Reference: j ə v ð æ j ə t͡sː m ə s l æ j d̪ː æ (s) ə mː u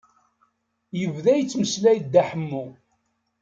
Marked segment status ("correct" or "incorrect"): incorrect